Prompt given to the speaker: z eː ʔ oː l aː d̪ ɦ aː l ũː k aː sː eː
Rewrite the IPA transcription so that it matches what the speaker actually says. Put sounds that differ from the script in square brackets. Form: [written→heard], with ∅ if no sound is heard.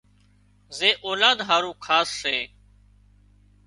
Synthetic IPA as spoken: z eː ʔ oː l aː d̪ ɦ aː [l→ɾ] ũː [k→kʰ] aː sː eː